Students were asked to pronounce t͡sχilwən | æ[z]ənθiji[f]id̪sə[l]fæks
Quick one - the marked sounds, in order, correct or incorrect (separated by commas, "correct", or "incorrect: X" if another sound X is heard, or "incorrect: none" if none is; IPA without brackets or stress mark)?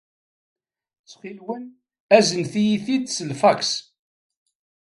correct, incorrect: θ, correct